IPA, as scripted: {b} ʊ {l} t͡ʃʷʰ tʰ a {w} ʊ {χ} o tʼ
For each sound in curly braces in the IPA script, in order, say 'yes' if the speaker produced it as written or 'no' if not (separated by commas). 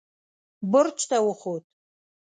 yes, no, yes, yes